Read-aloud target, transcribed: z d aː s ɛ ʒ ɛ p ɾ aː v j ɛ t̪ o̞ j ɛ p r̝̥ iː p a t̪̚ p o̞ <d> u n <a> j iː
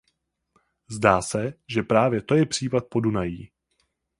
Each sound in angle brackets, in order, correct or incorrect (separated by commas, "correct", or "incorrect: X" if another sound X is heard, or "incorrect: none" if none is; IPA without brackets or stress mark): correct, correct